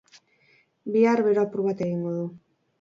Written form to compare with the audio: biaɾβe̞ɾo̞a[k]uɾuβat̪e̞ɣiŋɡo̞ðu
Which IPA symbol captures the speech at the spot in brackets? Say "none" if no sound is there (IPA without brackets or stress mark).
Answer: p